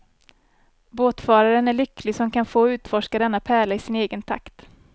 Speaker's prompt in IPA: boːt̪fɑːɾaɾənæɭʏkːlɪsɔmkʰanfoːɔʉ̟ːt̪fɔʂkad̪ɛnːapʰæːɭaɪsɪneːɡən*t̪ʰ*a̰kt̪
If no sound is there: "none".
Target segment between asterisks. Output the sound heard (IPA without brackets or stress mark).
t̪ʰ